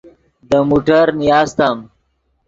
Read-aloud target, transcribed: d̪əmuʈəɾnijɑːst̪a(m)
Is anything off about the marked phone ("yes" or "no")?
no